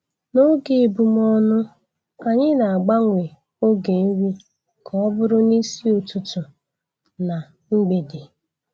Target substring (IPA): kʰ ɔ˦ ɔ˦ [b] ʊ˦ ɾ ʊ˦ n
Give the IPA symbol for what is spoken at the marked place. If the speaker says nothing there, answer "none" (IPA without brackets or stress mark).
b